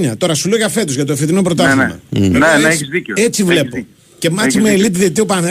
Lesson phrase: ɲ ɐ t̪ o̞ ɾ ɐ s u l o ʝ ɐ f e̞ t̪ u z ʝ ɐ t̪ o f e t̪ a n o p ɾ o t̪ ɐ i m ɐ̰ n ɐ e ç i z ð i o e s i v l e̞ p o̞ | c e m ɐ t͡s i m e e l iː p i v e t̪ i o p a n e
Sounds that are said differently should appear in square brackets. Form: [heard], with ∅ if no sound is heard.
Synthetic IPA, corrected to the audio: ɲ ɐ t̪ o̞ ɾ ɐ s u l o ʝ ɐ f e̞ t̪ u z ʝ ɐ t̪ o f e t̪ [i] n o p ɾ o t̪ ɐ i m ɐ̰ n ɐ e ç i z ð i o e [t͡s] i v l e̞ p o̞ | c e m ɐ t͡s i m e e l [i] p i [ð] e t̪ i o p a n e